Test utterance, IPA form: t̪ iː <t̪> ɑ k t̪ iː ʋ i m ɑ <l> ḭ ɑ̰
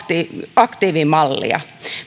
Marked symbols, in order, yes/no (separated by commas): no, no